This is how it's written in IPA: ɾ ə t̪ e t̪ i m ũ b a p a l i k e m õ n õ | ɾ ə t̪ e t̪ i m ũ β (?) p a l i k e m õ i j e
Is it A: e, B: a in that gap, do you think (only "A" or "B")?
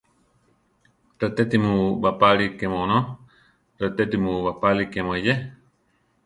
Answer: B